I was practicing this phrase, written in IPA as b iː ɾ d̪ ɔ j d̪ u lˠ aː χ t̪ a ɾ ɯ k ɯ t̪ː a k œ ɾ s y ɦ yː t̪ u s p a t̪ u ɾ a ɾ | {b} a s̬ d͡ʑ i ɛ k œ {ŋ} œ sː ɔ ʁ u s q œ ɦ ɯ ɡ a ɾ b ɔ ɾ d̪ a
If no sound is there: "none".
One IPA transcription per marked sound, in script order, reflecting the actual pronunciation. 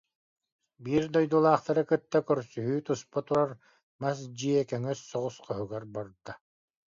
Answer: m, ŋ

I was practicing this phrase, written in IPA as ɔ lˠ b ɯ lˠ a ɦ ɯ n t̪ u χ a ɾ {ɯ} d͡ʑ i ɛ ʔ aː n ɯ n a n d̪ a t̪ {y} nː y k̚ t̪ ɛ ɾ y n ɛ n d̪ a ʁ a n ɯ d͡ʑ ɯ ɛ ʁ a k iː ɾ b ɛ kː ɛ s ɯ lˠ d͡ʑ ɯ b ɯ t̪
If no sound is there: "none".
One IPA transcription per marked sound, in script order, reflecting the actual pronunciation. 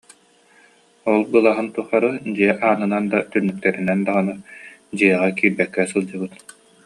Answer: ɯ, y

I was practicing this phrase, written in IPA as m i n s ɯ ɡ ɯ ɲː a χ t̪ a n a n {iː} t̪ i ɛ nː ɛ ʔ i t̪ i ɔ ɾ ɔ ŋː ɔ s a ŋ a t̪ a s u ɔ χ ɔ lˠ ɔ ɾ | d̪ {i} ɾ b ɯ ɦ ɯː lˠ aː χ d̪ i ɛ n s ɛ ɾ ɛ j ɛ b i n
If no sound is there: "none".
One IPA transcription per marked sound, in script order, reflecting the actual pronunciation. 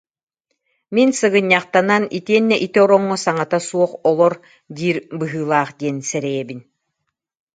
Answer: i, iː

